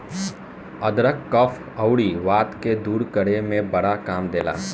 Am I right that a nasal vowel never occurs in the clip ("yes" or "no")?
no